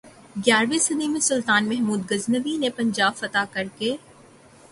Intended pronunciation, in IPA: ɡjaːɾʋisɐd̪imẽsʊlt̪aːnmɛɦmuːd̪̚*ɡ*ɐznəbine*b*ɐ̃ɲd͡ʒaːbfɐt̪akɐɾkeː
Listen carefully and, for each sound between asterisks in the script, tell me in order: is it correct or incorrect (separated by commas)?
correct, incorrect